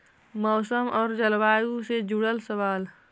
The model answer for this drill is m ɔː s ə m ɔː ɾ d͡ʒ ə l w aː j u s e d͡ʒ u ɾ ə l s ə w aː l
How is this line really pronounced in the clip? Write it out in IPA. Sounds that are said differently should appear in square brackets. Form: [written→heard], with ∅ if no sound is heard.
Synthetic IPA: m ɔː s ə m ɔː ɾ d͡ʒ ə l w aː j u s e d͡ʒ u [ɾ→ɽ] ə l s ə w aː l